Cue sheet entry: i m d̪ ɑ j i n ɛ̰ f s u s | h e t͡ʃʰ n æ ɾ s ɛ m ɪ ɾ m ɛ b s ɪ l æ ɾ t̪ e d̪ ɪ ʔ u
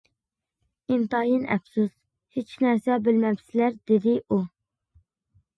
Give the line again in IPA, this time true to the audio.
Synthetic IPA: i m t̪ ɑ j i n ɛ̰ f s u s | h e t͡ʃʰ n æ ɾ s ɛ b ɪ l m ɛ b s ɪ l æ ɾ d̪ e d̪ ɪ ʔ u